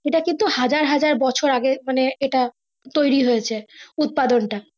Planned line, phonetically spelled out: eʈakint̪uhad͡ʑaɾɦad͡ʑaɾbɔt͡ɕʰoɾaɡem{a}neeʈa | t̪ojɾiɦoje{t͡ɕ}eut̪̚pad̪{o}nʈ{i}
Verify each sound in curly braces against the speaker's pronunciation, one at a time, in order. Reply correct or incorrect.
correct, incorrect, correct, incorrect

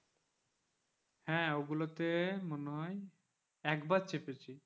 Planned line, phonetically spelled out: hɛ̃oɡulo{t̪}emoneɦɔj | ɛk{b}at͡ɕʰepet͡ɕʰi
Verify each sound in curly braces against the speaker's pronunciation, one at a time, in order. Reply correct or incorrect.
correct, correct

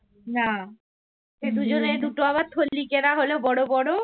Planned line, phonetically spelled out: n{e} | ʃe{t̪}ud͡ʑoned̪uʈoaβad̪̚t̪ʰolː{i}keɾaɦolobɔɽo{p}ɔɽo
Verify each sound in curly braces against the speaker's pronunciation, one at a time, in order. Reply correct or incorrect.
incorrect, incorrect, correct, incorrect

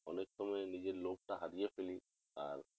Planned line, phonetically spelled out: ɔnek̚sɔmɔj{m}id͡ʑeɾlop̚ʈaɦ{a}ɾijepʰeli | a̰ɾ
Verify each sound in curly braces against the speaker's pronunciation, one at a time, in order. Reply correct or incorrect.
incorrect, correct

